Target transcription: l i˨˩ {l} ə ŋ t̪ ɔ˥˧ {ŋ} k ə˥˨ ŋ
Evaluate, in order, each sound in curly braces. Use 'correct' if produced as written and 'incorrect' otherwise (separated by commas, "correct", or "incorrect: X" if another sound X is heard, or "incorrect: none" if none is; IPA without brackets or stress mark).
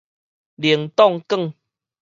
incorrect: none, correct